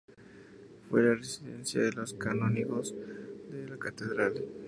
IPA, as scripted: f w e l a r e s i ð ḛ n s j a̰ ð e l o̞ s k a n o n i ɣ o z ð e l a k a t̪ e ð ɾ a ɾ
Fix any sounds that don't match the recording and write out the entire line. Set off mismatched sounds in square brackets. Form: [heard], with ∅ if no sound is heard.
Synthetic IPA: f w e l a r e s i ð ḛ n s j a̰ ð e l o̞ s k a n o n i ɣ o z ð e l a k a t̪ e ð ɾ a [l]